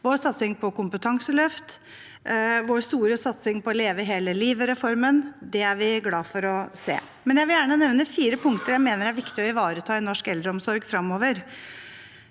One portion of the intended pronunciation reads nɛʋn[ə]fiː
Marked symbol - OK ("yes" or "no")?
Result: yes